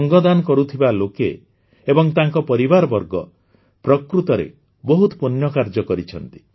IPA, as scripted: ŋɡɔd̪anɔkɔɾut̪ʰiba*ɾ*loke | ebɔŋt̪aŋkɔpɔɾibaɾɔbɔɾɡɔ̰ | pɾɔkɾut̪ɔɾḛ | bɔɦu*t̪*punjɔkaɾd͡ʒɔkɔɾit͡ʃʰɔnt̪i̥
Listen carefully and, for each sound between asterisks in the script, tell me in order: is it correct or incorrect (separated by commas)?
incorrect, correct